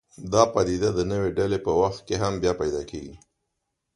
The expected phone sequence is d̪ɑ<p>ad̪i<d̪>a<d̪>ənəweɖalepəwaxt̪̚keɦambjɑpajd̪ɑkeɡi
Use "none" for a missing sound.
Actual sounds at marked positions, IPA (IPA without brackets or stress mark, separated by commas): p, d̪, d̪